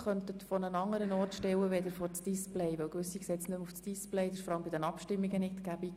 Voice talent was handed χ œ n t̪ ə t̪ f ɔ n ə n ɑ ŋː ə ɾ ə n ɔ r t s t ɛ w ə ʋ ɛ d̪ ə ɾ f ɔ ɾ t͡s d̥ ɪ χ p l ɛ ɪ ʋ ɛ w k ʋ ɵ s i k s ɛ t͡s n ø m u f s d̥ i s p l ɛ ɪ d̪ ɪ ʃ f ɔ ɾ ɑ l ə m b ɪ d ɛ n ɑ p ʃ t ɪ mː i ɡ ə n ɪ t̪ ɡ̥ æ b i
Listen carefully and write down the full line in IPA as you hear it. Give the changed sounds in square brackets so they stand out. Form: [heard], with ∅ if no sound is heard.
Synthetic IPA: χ œ n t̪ ə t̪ f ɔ n ə n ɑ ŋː ə ɾ ə n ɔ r t [ʃ] t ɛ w ə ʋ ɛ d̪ ə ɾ f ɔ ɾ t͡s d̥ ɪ [s] p l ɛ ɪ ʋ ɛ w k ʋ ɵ s i k s ɛ t͡s n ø m u f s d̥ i s p l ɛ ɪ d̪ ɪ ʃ f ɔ ɾ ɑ l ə m b ɪ d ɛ n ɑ p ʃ t ɪ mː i ɡ ə n ɪ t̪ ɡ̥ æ b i